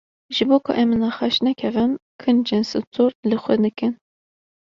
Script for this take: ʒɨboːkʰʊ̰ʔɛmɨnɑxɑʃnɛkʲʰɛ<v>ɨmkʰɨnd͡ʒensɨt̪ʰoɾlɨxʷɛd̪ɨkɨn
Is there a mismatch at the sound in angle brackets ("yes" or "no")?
no